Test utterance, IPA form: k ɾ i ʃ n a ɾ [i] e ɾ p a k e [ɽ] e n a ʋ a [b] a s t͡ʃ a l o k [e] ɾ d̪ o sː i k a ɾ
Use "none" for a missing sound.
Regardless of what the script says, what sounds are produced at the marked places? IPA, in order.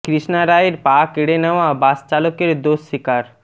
a, ɽ, b, e

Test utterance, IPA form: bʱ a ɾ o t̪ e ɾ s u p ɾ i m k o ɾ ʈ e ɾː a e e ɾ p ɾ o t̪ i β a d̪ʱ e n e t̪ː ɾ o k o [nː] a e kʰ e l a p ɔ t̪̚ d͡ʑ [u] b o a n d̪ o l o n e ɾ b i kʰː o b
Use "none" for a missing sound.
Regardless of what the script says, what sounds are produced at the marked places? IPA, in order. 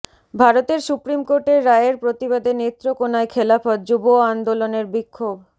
n, u

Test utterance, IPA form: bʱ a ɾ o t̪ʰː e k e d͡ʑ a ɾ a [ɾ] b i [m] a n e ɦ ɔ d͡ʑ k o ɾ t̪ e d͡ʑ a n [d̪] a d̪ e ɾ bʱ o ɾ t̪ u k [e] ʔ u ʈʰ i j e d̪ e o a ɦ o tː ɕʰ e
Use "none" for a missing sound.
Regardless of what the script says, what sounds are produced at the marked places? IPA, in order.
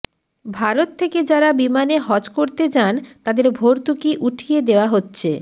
none, m, t̪, i

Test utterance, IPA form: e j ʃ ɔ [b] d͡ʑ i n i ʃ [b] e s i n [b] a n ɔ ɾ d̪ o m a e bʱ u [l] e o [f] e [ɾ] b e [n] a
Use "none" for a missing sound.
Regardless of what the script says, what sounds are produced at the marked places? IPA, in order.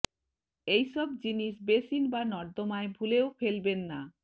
b, b, b, l, f, l, nː

